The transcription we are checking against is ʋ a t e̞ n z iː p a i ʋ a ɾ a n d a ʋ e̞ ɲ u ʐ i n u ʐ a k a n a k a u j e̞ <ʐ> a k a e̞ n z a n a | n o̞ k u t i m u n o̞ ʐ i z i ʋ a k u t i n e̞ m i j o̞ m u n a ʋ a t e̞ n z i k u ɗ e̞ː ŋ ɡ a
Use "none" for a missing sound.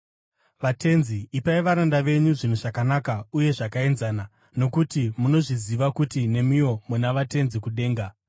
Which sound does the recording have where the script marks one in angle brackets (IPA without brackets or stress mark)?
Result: ʐ